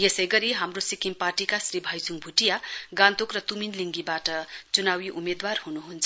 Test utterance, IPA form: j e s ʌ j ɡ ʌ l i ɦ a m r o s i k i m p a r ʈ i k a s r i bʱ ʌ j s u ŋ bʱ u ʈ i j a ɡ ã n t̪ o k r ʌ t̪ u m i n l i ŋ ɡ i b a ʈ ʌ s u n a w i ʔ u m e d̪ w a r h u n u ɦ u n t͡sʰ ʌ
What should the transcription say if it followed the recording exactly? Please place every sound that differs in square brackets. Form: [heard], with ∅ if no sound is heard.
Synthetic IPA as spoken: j e s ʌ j ɡ ʌ [ɾ] i ɦ a m r o s i k i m p a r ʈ i k a s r i bʱ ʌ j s u ŋ bʱ u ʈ i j a ɡ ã n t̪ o k r ʌ t̪ u m i n l i ŋ ɡ i b a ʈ ʌ [t͡s] u n a w i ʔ u m e d̪ w a r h u n u ɦ u n t͡sʰ ʌ

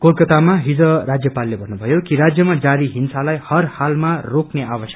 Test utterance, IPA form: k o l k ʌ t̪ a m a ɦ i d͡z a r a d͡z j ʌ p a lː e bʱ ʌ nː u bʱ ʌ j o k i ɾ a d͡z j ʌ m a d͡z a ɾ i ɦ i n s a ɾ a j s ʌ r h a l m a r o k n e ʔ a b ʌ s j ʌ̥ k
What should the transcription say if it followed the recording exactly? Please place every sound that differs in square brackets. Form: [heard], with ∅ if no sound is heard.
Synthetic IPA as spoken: k o l k ʌ t̪ a m a ɦ i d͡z [ʌ] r a d͡z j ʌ p a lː e bʱ ʌ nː u bʱ ʌ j o k i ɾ a d͡z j ʌ m a d͡z a ɾ i ɦ i n s a [l] a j [h] ʌ r h a l m a r o k n e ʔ a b ʌ s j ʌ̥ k

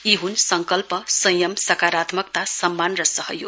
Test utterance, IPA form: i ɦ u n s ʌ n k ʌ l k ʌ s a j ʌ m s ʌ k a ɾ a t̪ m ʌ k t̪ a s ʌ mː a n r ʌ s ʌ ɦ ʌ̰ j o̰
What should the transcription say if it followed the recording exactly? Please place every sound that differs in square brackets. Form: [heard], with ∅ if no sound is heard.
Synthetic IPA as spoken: i ɦ u n s ʌ [ŋ] k ʌ l [p] ʌ s [ʌ] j ʌ m s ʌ k a ɾ a t̪ m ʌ k t̪ a s ʌ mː a n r ʌ s ʌ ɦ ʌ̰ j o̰

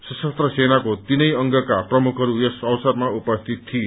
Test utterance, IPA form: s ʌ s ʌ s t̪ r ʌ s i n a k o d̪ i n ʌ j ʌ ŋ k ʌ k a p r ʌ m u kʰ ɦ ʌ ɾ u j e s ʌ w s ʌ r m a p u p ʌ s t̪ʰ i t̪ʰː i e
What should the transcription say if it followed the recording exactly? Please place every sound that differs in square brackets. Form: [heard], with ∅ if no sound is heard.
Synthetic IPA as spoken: s ʌ s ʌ s t̪ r ʌ s [e] n a k o [t̪] i n ʌ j ʌ ŋ [ɡ] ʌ k a p r ʌ m u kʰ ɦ ʌ ɾ u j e s ʌ w s ʌ r m a [∅] u p ʌ s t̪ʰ i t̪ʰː i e

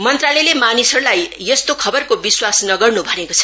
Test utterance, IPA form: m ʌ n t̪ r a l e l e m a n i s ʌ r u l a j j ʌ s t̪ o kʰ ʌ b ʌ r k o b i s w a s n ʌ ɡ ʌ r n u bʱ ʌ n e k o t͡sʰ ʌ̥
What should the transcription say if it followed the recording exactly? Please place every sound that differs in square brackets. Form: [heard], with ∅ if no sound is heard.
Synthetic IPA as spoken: m ʌ n t̪ r a l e l e m a n i s ʌ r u l a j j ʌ s t̪ o kʰ ʌ b ʌ r k o b i s w a s n ʌ ɡ ʌ r n u bʱ ʌ n e k o t͡sʰ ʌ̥

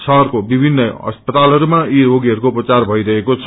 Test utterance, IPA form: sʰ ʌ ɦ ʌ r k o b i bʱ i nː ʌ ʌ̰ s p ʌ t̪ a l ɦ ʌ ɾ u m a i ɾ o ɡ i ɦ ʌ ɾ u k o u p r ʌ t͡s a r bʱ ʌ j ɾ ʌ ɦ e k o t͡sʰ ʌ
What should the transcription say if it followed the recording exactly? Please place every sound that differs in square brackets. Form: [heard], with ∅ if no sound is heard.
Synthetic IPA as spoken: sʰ ʌ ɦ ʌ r k o b i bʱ i nː ʌ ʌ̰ s p ʌ t̪ a l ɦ ʌ ɾ u m a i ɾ o ɡ i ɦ ʌ ɾ u k o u p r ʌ t͡s a r bʱ ʌ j ɾ ʌ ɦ e k o t͡sʰ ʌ

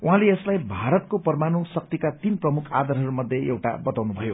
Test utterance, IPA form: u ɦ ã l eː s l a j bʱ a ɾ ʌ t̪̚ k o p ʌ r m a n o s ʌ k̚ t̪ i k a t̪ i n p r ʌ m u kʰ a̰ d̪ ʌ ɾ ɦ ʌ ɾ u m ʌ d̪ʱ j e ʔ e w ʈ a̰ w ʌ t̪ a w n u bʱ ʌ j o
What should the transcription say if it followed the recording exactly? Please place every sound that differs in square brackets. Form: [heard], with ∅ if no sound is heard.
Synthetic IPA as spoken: u ɦ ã l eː s l a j bʱ a ɾ ʌ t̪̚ k o p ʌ r m a n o s ʌ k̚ t̪ i k a t̪ i n p r ʌ m u kʰ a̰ d̪ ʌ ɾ ɦ ʌ ɾ u m ʌ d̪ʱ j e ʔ e w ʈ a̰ [b] ʌ t̪ a w n u bʱ ʌ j o

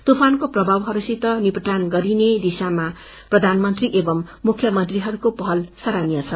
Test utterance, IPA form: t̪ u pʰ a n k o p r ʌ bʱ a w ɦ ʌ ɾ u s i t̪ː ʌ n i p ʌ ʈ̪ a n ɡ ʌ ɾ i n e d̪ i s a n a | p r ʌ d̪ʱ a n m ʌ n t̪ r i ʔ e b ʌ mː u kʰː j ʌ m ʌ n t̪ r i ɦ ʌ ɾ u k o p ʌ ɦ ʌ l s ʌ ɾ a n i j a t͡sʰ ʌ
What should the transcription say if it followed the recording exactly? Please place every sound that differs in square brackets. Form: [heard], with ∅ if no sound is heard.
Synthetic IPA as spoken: t̪ u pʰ a n k o p r ʌ bʱ a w ɦ ʌ ɾ u s i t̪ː ʌ n i p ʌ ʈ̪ a n ɡ ʌ ɾ i n e d̪ i s a [m] a | p r ʌ d̪ʱ a n m ʌ n t̪ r i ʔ e b ʌ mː u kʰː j ʌ m ʌ n t̪ r i ɦ ʌ ɾ u k o p ʌ ɦ ʌ l s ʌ ɾ a n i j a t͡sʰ ʌ

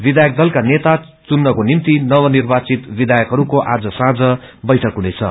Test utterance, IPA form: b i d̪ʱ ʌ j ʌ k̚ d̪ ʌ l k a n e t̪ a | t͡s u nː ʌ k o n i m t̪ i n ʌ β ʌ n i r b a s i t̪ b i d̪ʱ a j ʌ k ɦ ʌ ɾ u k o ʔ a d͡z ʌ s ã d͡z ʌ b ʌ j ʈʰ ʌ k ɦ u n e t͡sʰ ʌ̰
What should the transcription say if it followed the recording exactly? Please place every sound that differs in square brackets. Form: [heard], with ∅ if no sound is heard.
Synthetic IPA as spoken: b i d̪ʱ [a] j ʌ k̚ d̪ ʌ l k a n e t̪ a | t͡s u nː ʌ k o n i m t̪ i n ʌ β ʌ n i r b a [t͡s] i t̪ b i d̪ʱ a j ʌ k ɦ ʌ ɾ u k o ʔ a d͡z ʌ s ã d͡z ʌ b ʌ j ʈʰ ʌ k ɦ u n e t͡sʰ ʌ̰

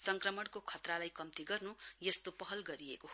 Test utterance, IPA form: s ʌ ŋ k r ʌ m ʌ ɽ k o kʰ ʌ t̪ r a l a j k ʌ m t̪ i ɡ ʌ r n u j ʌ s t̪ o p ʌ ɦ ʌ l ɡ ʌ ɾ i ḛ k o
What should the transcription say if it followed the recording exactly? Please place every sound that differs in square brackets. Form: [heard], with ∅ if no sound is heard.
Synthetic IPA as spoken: s ʌ ŋ k r ʌ m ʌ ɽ k o kʰ ʌ t̪ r a l a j k ʌ m t̪ i ɡ ʌ r n u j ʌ s t̪ o p ʌ ɦ ʌ l ɡ ʌ ɾ i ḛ k o

